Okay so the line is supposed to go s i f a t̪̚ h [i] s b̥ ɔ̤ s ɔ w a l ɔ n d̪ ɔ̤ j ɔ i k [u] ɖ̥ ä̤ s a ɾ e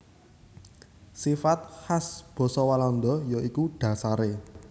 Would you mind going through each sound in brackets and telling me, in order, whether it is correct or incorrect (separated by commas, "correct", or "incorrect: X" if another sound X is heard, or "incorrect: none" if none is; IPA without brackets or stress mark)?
incorrect: a, correct